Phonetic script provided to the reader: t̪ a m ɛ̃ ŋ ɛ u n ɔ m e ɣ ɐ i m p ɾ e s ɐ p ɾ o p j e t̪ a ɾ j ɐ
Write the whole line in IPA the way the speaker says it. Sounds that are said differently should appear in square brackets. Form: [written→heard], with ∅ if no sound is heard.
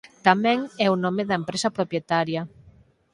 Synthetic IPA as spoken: t̪ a m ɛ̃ ŋ ɛ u n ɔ m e [ɣ→ð] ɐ [i→e] m p ɾ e s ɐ p ɾ o p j e t̪ a ɾ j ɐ